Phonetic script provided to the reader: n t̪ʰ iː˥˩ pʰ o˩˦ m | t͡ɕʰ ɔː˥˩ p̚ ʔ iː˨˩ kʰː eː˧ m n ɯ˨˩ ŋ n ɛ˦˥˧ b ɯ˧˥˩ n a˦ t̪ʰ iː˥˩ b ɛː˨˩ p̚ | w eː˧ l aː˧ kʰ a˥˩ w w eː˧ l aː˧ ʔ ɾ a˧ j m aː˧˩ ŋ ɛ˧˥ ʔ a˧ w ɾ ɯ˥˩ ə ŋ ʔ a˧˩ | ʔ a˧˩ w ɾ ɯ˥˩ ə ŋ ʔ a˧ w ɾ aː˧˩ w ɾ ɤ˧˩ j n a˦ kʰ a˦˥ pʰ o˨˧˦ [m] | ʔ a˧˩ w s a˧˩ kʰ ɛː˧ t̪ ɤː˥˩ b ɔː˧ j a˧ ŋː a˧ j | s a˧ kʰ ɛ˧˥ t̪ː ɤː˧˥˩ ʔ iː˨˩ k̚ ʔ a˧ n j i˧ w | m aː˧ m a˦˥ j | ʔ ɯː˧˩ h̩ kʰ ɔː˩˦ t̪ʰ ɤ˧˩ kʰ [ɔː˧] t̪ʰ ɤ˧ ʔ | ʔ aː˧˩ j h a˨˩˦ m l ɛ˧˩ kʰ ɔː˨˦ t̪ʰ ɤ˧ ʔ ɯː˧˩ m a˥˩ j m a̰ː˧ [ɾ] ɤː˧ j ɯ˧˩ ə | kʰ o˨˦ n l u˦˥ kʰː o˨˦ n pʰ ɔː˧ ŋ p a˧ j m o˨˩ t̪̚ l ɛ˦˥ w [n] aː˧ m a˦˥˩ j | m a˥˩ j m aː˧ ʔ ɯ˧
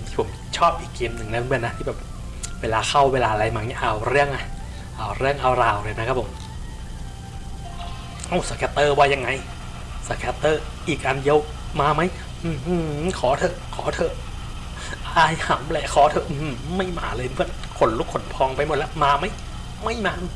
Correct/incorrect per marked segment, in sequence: correct, incorrect: ɔː˩˦, incorrect: l, incorrect: m

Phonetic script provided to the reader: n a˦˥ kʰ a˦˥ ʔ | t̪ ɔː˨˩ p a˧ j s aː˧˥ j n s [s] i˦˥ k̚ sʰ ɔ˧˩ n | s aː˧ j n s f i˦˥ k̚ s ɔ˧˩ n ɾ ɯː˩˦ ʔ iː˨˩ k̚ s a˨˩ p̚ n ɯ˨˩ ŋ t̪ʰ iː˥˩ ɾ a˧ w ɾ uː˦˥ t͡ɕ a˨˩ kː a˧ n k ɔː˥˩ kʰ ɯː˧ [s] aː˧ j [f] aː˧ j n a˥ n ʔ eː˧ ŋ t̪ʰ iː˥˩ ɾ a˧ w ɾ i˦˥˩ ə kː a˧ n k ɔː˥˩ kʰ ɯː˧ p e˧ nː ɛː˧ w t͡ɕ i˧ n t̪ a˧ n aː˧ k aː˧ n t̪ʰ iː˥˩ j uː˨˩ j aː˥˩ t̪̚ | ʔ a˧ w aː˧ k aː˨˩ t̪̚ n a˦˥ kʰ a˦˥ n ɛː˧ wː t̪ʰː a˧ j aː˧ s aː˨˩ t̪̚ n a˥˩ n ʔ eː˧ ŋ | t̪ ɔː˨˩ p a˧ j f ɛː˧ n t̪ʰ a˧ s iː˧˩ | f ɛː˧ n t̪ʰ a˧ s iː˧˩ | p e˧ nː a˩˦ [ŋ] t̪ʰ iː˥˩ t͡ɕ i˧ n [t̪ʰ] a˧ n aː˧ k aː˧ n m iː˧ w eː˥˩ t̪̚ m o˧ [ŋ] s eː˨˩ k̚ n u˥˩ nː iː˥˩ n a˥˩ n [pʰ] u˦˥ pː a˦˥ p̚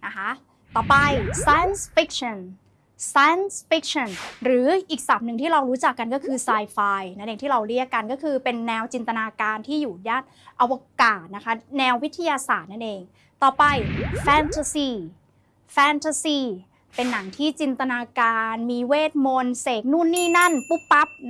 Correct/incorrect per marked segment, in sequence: incorrect: f, correct, correct, correct, incorrect: t̪, incorrect: n, incorrect: p

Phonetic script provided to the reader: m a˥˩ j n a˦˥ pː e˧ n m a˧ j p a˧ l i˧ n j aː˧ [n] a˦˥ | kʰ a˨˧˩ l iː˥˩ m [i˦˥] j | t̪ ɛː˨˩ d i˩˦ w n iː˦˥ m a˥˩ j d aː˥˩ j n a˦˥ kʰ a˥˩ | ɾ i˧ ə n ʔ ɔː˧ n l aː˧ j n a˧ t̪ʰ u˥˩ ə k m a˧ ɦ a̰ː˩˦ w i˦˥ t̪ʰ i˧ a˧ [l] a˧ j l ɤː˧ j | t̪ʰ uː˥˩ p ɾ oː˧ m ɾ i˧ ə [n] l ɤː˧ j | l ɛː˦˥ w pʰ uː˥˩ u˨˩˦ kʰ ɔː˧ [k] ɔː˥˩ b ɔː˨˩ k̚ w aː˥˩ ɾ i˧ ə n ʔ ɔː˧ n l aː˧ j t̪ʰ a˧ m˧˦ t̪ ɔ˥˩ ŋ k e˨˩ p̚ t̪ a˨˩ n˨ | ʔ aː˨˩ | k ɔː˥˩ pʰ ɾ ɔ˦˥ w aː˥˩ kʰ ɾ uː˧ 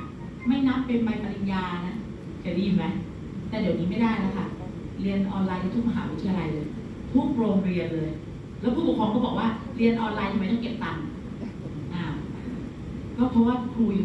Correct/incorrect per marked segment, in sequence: correct, incorrect: a˦˥, correct, correct, correct

